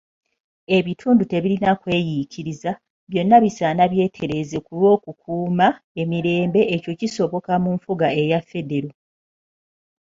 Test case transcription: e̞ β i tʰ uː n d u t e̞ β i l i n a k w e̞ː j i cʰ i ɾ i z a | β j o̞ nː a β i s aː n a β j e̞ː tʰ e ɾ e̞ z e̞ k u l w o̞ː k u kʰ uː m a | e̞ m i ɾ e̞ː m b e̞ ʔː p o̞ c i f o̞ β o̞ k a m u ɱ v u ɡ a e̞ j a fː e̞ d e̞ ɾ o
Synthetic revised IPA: e̞ β i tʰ uː n d u t e̞ β i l i n a k w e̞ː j i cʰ i ɾ i z a | β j o̞ nː a β i s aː n a β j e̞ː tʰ e ɾ e̞ z e̞ k u l w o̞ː k u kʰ uː m a | e̞ m i ɾ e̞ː m b e̞ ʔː c o̞ c i s o̞ β o̞ k a m u ɱ f u ɡ a e̞ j a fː e̞ d e̞ ɾ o